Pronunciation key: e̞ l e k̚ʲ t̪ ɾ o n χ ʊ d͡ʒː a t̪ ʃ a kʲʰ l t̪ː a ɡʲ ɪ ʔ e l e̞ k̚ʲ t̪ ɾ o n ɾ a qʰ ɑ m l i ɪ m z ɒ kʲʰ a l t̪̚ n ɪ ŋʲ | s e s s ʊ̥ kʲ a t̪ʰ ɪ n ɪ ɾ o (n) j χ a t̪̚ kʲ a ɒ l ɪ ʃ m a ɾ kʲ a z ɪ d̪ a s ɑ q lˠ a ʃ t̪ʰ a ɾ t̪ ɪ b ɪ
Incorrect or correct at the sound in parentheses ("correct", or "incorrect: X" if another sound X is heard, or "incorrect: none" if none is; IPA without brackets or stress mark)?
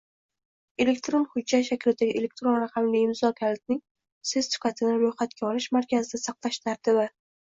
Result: incorrect: none